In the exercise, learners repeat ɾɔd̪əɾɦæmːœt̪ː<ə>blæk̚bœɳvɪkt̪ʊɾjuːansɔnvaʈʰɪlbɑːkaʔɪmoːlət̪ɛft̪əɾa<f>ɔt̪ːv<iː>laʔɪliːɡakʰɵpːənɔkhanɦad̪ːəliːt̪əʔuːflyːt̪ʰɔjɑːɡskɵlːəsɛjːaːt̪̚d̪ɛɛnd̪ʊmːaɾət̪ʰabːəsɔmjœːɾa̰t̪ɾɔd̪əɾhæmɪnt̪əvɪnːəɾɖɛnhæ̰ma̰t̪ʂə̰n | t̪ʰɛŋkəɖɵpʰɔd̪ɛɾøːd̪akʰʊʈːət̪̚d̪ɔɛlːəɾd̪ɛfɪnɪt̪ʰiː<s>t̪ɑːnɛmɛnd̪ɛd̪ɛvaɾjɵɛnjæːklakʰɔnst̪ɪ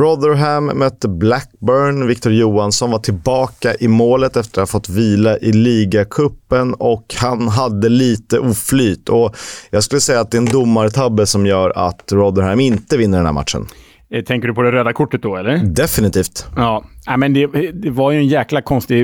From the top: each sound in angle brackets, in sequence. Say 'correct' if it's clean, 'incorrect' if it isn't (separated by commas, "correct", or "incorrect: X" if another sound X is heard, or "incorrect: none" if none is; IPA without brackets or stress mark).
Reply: correct, correct, correct, incorrect: f